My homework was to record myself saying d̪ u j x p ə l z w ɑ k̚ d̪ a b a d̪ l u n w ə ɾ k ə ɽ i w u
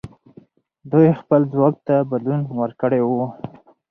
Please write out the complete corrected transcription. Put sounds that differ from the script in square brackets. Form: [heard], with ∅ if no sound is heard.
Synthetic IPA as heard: d̪ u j x p ə l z w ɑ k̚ [t̪] a b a d̪ l u n w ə ɾ k ə ɽ [e] w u